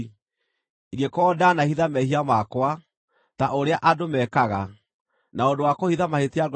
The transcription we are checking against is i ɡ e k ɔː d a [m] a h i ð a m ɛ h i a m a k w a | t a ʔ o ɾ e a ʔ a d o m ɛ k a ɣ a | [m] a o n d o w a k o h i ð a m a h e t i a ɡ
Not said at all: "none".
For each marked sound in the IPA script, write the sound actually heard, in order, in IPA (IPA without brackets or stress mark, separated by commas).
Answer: n, n